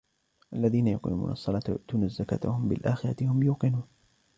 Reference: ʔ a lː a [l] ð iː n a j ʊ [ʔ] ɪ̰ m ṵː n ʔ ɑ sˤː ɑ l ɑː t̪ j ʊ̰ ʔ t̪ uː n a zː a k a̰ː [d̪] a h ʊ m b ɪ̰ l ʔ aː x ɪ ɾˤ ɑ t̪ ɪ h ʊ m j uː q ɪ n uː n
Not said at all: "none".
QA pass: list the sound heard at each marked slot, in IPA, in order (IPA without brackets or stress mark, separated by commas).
none, q, t̪